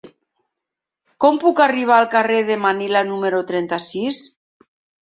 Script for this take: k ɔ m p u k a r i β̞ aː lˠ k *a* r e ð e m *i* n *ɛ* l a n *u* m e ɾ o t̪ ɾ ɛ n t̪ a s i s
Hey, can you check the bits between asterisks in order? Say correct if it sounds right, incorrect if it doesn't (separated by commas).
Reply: correct, incorrect, incorrect, correct